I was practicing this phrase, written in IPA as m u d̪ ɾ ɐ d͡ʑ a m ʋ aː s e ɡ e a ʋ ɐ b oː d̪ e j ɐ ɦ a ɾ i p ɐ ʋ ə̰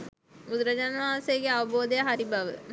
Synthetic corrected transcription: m u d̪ ɾ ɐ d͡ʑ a n ʋ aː s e ɡ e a ʋ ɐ b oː d̪ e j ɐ ɦ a ɾ i b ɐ ʋ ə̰